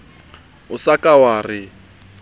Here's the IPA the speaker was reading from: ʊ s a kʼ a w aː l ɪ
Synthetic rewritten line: ʊ s a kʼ a w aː r ɪ